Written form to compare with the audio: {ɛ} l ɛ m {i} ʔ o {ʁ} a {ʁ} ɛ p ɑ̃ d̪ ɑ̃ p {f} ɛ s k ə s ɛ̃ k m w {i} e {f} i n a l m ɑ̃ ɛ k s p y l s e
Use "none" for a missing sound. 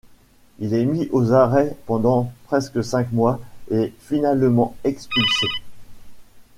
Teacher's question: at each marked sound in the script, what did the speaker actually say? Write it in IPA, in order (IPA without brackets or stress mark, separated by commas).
i, i, z, ʁ, χ, a, f